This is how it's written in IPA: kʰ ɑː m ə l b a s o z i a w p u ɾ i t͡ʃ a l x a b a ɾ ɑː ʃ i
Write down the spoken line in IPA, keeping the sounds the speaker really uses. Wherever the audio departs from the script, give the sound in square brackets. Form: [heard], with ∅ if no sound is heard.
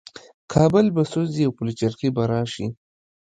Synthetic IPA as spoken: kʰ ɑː [b] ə l b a s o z i a w p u [l] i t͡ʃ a [ɾ] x [i] b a ɾ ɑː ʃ i